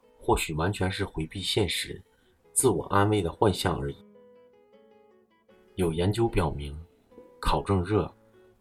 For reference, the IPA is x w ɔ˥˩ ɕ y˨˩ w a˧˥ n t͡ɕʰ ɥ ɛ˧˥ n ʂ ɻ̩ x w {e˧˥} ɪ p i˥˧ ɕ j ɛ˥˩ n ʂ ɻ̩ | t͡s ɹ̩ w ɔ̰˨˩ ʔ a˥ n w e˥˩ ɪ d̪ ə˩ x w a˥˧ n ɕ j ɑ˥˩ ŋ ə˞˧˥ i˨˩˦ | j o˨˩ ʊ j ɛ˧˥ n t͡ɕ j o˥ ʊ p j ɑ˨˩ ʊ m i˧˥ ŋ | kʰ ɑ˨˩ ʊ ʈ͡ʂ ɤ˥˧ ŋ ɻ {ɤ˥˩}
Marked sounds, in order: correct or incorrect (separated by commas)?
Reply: correct, correct